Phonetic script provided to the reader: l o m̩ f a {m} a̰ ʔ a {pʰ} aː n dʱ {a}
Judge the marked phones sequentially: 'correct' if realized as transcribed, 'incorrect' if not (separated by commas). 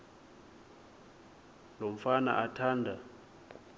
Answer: incorrect, incorrect, correct